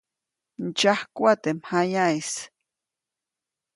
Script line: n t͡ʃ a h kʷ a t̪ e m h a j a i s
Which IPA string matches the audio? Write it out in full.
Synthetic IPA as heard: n t͡ʃ a h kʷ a t̪ e m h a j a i s